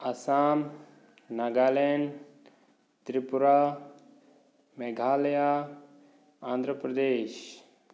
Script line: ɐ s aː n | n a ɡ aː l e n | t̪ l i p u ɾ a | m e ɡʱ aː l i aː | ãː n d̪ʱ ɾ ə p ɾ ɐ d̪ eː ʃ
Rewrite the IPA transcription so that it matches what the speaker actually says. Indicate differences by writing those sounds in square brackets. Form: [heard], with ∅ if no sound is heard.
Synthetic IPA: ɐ s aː [m] | n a ɡ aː l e n | t̪ [ɾ] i p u ɾ a | m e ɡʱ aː l [j] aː | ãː n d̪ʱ ɾ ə p ɾ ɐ d̪ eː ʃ